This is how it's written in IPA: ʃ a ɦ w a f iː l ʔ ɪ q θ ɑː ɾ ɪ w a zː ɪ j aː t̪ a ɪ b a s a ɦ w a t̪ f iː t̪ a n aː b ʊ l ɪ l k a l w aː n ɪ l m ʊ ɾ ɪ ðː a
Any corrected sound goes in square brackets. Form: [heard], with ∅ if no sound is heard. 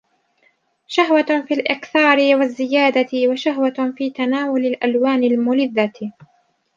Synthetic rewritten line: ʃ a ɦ w a f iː l ʔ ɪ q θ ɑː ɾ ɪ w a zː ɪ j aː [d̪] a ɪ [w] a [ʃ] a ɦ w a [∅] f iː t̪ a n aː [w] ʊ l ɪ l [ʔ] a l w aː n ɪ l m ʊ [l] ɪ ðː a